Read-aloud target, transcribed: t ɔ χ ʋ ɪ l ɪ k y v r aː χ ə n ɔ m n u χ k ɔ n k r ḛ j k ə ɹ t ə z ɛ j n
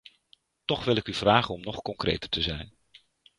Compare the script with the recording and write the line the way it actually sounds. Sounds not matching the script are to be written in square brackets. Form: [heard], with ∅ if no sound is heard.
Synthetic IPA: t ɔ χ ʋ ɪ l ɪ k y v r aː χ ə n ɔ m n [ɔ] χ k ɔ [ŋ] k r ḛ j [t] ə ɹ t ə z ɛ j n